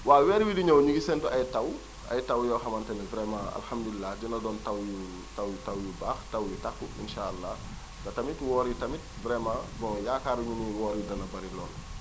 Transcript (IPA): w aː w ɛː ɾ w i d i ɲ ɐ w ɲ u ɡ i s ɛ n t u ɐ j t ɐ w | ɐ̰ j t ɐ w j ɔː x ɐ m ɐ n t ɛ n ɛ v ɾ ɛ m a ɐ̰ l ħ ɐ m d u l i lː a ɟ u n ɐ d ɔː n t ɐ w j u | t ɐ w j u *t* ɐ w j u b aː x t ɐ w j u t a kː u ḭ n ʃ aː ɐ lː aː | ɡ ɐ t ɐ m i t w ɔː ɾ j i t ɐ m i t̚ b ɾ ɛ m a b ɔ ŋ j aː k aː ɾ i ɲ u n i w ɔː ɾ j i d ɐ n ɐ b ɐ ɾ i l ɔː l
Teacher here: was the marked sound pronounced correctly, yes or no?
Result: yes